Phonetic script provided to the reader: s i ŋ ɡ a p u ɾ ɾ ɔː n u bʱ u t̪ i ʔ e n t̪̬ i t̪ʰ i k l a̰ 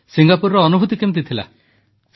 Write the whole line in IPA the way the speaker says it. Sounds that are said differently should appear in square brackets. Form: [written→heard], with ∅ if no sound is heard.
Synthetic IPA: s i ŋ ɡ a p u ɾ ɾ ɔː n u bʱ u t̪ i [ʔ→k] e [n→m] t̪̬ i t̪ʰ i [k→∅] l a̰